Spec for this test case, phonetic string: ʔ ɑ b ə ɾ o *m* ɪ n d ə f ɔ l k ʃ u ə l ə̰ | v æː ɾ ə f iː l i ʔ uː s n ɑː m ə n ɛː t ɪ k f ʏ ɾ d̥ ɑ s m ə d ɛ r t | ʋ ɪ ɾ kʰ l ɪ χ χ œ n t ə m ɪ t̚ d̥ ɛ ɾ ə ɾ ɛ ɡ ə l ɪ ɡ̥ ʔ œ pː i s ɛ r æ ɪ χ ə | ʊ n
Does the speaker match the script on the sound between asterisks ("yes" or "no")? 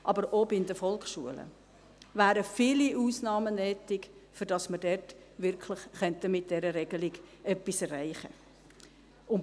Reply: no